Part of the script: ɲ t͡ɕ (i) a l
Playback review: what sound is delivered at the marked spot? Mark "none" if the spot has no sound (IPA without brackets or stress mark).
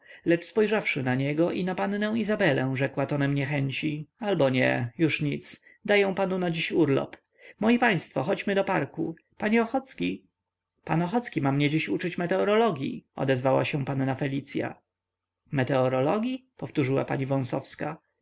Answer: i